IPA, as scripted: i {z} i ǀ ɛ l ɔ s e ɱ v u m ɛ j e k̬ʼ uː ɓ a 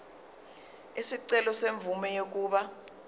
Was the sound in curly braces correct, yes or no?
no